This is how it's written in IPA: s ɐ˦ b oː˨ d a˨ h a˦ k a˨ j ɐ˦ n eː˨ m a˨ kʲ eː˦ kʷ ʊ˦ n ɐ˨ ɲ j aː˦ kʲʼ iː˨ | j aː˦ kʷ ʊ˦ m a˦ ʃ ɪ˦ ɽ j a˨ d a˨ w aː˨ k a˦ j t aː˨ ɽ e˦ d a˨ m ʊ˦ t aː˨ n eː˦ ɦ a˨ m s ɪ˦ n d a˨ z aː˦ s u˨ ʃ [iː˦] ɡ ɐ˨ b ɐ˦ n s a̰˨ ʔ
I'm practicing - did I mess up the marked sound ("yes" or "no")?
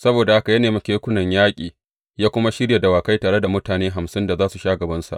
yes